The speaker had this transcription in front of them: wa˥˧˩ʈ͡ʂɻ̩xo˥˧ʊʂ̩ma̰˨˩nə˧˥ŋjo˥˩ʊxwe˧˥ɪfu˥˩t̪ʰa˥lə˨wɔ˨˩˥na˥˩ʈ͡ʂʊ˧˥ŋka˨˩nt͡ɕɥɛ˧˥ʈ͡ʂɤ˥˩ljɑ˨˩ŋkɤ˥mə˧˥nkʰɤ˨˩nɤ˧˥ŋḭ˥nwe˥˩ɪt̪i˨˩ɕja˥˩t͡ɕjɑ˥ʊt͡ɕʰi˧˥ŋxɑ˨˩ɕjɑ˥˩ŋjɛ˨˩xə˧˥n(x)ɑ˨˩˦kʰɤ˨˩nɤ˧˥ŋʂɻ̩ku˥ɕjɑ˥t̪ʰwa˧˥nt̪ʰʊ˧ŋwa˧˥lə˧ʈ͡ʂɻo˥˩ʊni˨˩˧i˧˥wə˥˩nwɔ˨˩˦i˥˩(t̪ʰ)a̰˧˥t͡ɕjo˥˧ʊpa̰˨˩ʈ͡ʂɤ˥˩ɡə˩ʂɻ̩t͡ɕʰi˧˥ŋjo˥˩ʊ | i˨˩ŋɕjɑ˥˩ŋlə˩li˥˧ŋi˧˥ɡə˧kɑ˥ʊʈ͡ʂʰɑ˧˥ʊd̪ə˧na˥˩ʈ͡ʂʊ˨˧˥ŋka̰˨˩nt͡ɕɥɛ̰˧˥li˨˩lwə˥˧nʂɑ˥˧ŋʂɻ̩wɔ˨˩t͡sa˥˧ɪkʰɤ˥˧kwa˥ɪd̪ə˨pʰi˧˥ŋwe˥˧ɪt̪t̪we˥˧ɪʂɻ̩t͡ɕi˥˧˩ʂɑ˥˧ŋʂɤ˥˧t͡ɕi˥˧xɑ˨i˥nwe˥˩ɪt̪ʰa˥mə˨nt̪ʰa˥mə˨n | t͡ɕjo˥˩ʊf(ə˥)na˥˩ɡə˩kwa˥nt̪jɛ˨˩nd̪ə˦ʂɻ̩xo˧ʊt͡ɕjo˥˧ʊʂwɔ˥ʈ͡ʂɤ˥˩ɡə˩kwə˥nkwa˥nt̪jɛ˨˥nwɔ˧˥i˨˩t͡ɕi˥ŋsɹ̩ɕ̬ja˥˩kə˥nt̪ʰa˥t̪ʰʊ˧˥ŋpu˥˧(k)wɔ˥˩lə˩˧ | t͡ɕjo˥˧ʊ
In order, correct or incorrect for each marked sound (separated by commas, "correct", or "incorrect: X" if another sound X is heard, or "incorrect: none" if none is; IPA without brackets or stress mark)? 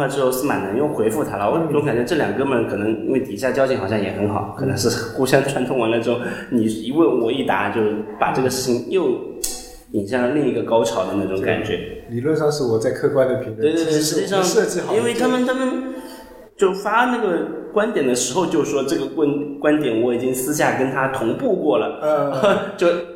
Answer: correct, incorrect: t̪, incorrect: a˥, correct